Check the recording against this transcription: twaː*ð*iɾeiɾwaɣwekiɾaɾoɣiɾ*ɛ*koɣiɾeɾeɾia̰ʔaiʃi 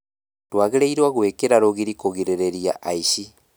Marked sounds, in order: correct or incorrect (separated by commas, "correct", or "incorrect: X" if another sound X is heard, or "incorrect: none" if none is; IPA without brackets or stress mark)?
incorrect: ɣ, incorrect: i